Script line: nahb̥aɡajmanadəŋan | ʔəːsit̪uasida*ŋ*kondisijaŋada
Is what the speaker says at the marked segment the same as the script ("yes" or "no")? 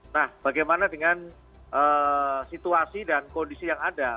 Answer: no